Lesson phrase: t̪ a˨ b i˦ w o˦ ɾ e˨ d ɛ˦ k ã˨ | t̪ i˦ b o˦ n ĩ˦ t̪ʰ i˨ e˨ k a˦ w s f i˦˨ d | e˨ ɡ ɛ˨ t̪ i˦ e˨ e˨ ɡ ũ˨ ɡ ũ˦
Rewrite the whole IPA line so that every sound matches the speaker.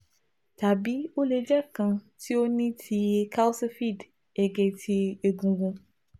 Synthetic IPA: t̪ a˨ b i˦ w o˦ l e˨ d͡ʒ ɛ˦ k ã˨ | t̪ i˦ w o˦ n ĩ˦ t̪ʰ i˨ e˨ k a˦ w s f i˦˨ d | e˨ ɡ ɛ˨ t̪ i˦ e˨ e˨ ɡ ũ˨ ɡ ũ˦

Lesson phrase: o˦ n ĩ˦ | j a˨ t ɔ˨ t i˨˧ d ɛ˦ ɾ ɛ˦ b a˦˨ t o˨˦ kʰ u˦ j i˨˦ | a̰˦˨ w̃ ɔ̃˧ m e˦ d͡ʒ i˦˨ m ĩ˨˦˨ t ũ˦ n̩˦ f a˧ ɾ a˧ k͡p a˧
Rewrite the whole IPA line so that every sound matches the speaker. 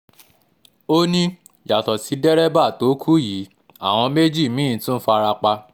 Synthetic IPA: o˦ n ĩ˦ | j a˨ t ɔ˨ s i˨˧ d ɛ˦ ɾ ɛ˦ b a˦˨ t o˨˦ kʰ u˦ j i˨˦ | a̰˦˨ w̃ ɔ̃˧ m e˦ d͡ʒ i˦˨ m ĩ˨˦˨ t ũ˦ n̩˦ f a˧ ɾ a˧ k͡p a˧

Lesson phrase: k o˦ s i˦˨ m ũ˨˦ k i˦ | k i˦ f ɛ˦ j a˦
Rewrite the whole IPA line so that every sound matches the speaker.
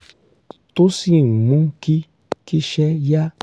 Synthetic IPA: t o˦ s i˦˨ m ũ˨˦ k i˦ | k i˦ ʃ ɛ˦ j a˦

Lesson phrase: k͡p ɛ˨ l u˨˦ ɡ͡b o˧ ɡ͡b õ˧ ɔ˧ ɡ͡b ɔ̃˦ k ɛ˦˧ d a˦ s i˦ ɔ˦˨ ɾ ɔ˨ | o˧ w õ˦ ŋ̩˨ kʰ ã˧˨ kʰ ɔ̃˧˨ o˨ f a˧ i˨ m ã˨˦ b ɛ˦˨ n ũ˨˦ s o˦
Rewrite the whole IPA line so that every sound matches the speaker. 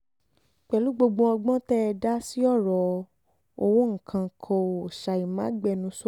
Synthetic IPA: k͡p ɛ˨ l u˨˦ ɡ͡b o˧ ɡ͡b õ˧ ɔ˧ ɡ͡b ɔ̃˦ t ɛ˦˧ d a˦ s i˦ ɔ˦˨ ɾ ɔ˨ | o˧ w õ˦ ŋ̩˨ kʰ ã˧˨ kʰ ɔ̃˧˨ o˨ ʃ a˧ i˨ m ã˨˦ ɡ͡b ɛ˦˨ n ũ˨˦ s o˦

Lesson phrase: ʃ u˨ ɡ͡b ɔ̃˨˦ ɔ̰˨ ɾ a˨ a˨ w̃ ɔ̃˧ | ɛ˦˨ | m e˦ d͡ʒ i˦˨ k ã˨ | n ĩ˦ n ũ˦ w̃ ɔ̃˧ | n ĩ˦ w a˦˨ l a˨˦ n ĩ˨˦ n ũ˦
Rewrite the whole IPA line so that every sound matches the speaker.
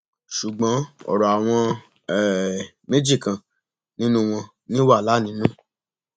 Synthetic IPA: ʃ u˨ ɡ͡b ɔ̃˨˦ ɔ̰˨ ɾ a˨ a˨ w̃ ɔ̃˧ | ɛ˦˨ | m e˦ d͡ʒ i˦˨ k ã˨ | n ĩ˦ n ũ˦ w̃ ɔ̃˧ | n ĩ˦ w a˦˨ l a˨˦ n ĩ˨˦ n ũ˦

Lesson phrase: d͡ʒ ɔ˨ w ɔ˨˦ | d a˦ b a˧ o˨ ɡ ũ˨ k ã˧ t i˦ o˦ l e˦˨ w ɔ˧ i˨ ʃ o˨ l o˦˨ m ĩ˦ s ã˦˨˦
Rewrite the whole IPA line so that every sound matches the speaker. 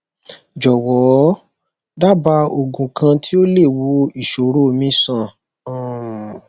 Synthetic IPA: d͡ʒ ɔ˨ w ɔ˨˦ | d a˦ b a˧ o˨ ɡ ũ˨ k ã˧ t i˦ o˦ l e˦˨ w o˧ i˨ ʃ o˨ ɾ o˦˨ m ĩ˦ s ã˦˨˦

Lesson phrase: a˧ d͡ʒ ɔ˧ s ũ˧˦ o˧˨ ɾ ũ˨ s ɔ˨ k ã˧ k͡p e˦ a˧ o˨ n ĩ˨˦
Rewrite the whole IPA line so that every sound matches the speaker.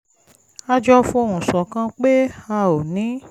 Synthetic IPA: a˧ d͡ʒ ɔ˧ f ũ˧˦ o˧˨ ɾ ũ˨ s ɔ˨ k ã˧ k͡p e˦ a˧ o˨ n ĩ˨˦

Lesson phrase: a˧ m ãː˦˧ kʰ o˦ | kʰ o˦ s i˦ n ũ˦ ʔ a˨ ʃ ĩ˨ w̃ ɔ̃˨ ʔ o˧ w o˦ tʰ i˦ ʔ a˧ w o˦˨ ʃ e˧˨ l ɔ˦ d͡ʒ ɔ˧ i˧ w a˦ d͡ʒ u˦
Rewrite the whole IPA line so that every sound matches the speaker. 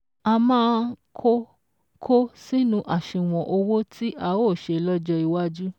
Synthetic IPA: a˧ m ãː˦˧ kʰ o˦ | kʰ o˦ s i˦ n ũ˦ ʔ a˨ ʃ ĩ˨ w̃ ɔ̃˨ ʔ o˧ w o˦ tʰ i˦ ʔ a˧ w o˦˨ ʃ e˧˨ l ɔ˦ d͡ʒ ɔ˧ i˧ w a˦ d͡ʒ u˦

